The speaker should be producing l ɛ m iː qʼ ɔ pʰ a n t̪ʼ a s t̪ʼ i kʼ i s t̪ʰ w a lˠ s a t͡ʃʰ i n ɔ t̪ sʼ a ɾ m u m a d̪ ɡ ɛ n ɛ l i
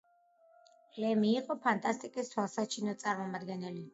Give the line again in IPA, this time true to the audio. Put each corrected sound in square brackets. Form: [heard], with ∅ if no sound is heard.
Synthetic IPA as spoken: l ɛ m iː qʼ ɔ pʰ a n t̪ʼ a s t̪ʼ i kʼ i s t̪ʰ w a lˠ s a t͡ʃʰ i n ɔ t̪ sʼ a ɾ m [ɔ] m a d̪ ɡ ɛ n ɛ l i

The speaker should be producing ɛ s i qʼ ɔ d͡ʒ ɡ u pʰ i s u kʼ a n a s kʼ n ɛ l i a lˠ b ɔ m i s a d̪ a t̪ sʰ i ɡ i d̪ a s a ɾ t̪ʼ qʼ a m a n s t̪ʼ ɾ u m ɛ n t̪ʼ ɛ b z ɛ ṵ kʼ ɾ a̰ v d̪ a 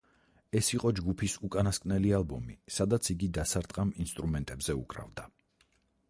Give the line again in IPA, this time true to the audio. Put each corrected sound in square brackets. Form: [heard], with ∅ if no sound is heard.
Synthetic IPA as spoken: ɛ s i qʼ ɔ d͡ʒ ɡ u pʰ i s u kʼ a n a s kʼ n ɛ l i a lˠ b ɔ m i s a d̪ a t̪ sʰ i ɡ i d̪ a s a ɾ t̪ʼ qʼ a m [i] n s t̪ʼ ɾ u m ɛ n t̪ʼ ɛ b z ɛ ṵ kʼ ɾ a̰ v d̪ a

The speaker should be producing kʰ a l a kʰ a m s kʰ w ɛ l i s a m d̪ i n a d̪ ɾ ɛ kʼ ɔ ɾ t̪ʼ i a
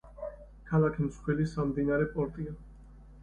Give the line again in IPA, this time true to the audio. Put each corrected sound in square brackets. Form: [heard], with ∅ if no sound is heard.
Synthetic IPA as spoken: kʰ a l a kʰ [i] m s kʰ w ɛ l i s a m d̪ i n a [∅] ɾ ɛ [pʼ] ɔ ɾ t̪ʼ i a

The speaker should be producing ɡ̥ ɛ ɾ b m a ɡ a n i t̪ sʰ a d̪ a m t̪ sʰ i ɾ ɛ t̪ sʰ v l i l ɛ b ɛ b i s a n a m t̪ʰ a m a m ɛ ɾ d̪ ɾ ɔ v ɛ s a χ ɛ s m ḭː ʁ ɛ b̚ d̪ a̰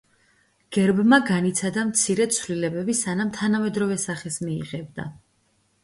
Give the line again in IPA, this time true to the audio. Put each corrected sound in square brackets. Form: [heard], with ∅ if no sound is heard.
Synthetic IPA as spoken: ɡ̥ ɛ ɾ b m a ɡ a n i t̪ sʰ a d̪ a m t̪ sʰ i ɾ ɛ t̪ sʰ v l i l ɛ b ɛ b i s a n a m t̪ʰ a [n] a m ɛ [∅] d̪ ɾ ɔ v ɛ s a χ ɛ s m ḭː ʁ ɛ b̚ d̪ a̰

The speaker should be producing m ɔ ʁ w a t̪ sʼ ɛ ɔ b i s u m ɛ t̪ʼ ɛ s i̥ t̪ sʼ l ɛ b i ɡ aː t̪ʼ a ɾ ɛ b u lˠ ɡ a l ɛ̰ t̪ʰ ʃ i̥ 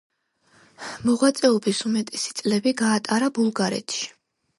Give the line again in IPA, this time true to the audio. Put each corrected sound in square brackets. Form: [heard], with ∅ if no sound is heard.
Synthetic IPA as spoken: m ɔ ʁ w a t̪ sʼ ɛ ɔ b i s u m ɛ t̪ʼ ɛ s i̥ t̪ sʼ l ɛ b i ɡ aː t̪ʼ a ɾ [a] b u lˠ ɡ a [ɾ] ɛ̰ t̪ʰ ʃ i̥

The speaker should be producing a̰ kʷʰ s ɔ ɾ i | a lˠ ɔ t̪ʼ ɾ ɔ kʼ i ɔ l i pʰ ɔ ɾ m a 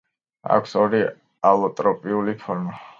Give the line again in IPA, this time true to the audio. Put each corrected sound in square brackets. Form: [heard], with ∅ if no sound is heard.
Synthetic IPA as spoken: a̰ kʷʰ s ɔ ɾ i | a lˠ ɔ t̪ʼ ɾ ɔ [pʼ] i [u] l i pʰ ɔ ɾ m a

